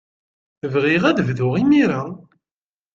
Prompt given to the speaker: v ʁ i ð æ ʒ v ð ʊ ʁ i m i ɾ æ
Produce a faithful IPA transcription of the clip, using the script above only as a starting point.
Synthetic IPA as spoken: v ʁ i ʁ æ ð v ð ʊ ʁ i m i ɾ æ